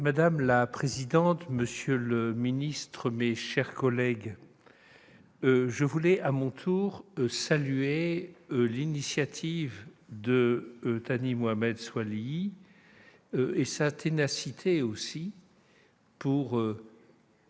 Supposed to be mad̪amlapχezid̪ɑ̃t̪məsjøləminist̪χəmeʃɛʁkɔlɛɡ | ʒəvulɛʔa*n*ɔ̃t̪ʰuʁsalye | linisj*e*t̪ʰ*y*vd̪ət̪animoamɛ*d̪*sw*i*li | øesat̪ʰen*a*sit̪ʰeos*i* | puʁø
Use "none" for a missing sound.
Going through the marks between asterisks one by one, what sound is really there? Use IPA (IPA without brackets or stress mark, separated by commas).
m, a, i, d̪, a, a, i